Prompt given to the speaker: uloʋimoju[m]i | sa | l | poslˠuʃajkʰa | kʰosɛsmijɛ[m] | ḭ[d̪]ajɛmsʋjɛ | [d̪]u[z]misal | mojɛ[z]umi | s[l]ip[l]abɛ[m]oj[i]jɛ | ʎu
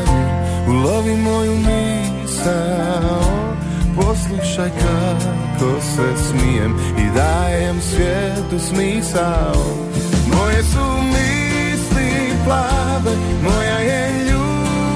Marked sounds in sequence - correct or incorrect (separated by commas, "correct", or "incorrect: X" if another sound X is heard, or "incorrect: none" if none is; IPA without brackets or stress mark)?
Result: correct, correct, correct, incorrect: t̪, incorrect: s, incorrect: s, correct, correct, correct, incorrect: a